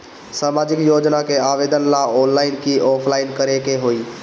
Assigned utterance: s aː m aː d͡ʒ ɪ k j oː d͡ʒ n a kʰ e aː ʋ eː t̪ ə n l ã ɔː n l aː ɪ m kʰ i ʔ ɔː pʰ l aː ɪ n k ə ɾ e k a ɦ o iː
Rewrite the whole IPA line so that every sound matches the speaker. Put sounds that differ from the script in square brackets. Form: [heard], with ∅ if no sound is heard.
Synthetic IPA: s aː m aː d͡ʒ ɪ k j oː d͡ʒ n a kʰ e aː ʋ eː [d̪] ə n l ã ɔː n l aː ɪ [n] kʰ i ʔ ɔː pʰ l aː ɪ n k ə ɾ e k [e] ɦ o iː